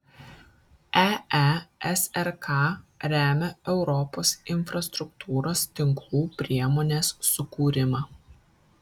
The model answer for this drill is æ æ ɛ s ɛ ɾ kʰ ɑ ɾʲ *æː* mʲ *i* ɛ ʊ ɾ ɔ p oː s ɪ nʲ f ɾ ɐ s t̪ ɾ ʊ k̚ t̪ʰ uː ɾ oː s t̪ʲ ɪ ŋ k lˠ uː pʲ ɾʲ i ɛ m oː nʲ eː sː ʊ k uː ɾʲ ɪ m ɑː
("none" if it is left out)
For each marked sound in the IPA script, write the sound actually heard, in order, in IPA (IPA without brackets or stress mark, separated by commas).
æː, ɛ